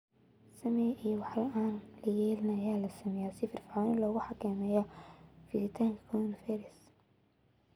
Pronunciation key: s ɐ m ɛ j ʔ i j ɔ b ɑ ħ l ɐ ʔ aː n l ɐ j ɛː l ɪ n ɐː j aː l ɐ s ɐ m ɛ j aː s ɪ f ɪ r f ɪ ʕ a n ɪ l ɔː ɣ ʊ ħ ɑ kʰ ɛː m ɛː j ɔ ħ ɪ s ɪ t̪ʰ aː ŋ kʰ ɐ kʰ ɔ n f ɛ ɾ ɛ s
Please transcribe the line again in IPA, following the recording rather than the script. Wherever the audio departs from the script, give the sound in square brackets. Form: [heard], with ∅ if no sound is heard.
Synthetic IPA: s ɐ m ɛ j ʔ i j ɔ [w] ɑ ħ l ɐ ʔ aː n l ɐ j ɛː l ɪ n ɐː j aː l ɐ s ɐ m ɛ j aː s ɪ f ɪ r f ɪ ʕ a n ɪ l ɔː ɣ ʊ ħ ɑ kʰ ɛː m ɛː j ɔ [f] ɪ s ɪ t̪ʰ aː ŋ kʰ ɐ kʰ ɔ n f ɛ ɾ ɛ s